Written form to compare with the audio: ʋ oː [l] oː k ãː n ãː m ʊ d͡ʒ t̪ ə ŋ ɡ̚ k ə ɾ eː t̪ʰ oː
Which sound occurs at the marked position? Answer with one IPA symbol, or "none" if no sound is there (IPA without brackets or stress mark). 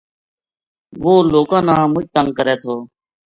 l